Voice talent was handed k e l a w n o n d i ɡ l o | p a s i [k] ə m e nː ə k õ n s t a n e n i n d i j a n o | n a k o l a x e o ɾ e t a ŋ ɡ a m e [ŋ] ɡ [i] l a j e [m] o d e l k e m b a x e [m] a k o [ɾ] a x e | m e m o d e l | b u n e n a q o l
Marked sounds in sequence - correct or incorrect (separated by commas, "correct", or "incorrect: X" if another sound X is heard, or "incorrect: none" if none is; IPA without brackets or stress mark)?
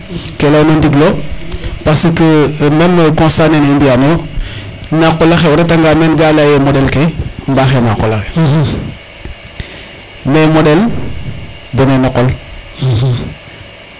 correct, incorrect: n, incorrect: a, correct, incorrect: n, incorrect: l